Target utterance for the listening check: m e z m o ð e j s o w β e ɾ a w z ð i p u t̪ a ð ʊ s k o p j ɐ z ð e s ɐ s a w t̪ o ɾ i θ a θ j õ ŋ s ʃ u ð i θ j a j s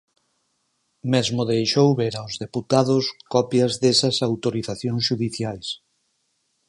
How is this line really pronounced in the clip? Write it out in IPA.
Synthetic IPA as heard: m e z m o ð e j ʃ o w β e ɾ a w z ð e p u t̪ a ð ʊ s k ɔ p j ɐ z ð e s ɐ s a w t̪ o ɾ i θ a θ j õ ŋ s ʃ u ð i θ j a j s